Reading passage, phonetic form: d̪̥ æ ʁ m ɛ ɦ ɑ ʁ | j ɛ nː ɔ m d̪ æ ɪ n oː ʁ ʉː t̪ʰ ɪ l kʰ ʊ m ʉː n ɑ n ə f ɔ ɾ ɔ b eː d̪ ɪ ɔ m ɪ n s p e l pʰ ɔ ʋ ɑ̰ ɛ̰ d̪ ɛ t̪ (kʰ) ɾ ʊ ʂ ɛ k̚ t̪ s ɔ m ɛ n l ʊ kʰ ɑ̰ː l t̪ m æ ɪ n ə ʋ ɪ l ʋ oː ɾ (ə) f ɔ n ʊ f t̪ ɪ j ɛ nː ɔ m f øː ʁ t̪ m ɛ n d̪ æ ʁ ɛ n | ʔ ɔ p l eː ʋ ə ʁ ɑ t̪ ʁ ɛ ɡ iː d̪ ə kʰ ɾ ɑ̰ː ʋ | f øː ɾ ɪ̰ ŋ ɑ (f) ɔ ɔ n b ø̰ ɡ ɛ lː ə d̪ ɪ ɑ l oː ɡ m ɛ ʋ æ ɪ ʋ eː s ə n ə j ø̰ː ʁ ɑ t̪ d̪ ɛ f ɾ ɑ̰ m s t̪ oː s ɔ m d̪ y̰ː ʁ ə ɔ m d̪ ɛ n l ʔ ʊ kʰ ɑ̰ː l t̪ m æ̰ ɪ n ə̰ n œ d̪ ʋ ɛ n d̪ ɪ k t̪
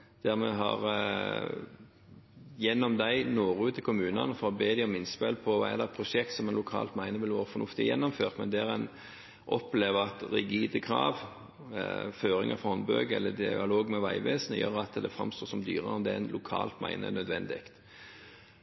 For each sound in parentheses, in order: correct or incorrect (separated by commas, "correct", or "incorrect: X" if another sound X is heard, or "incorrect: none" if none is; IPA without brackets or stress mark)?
incorrect: pʰ, correct, correct